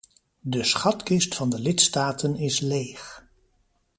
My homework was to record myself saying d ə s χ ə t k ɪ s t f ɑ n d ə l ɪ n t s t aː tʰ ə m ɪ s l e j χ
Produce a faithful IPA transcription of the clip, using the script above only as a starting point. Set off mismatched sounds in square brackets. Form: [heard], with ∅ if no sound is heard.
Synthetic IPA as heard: d ə s χ [ɑ] t k ɪ s t f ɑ n d ə l ɪ [∅] t s t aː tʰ ə [n] ɪ s l e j χ